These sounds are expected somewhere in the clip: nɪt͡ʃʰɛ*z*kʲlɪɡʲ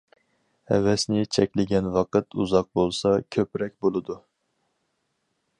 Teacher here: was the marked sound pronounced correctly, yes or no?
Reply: no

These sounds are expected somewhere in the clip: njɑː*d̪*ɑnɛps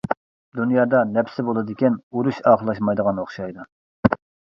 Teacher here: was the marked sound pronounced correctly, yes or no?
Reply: yes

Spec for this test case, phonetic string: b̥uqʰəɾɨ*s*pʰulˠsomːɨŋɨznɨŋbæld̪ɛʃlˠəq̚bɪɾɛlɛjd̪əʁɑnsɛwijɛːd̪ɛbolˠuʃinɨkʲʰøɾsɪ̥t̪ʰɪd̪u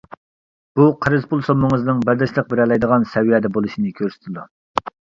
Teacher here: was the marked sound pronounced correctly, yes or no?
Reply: no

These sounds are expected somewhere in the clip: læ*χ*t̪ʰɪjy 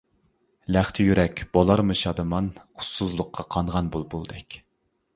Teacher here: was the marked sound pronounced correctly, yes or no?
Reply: yes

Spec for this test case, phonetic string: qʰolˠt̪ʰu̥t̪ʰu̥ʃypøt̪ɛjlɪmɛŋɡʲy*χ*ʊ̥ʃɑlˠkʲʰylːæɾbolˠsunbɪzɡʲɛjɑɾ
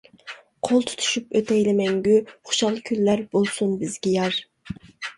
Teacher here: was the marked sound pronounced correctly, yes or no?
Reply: yes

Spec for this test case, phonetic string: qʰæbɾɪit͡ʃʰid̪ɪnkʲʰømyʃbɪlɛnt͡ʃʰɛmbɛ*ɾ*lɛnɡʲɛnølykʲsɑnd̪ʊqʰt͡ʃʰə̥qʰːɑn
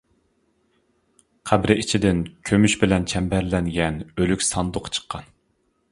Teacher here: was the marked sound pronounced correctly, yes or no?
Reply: yes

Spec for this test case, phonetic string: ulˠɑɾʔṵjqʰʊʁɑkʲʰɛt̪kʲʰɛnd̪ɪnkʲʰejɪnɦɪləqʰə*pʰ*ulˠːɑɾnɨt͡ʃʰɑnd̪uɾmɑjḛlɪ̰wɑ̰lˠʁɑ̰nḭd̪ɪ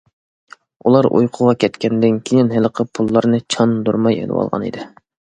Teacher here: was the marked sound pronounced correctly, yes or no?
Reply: yes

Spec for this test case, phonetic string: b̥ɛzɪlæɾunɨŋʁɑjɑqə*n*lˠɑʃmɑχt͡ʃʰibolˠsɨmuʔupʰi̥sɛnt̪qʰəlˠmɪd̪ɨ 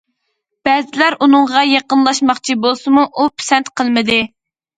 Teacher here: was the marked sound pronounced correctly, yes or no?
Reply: yes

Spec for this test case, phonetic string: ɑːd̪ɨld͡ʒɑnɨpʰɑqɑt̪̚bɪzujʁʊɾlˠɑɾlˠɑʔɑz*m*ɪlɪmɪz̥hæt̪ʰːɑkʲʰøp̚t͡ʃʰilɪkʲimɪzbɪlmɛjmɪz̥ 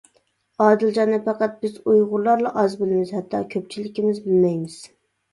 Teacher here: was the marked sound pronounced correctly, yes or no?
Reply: no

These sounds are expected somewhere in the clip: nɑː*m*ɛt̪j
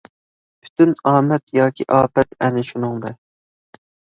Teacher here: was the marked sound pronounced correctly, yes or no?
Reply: yes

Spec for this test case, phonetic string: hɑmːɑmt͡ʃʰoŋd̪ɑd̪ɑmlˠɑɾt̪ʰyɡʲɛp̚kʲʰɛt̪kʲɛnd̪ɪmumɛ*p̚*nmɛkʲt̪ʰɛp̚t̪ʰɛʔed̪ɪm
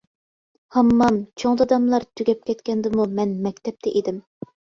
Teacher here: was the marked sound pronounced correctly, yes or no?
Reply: no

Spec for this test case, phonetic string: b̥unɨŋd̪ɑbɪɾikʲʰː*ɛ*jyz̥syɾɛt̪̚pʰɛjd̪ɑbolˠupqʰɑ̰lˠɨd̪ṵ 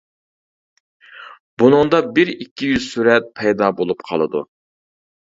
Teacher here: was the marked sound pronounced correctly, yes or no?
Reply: no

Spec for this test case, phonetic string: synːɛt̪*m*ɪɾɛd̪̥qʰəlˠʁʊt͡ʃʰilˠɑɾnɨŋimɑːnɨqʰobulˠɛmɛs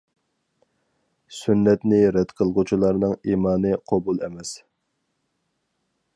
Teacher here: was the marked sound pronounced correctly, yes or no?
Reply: no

